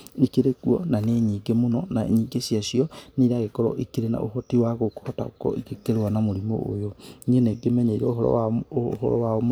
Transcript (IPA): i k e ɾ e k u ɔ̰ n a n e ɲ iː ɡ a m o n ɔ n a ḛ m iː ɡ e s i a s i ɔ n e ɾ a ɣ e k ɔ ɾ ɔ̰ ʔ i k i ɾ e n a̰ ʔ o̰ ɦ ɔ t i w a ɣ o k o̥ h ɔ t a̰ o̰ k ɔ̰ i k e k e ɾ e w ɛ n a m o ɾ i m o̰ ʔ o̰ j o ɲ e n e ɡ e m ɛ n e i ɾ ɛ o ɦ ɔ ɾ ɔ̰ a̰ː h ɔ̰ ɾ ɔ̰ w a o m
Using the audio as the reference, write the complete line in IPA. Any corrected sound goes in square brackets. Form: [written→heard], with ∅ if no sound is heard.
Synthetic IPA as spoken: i k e ɾ e k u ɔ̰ n a n e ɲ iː ɡ [a→e] m o n ɔ n a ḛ [m→ɲ] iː ɡ e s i a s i ɔ n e ɾ a ɣ e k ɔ ɾ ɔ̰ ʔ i k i ɾ e n a̰ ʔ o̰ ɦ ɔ t i w a ɣ o k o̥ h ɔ t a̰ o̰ k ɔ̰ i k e k e ɾ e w [ɛ→a] n a m o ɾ i m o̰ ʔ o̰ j o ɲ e n e ɡ e m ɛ [n→ɲ] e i ɾ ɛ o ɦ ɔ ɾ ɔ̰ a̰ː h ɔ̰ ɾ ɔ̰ w a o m